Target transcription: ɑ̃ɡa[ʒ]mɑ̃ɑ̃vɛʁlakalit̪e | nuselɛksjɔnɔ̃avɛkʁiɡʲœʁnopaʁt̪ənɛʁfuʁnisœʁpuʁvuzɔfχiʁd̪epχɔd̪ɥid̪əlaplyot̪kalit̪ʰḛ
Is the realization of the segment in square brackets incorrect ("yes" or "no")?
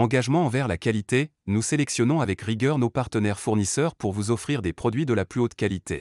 no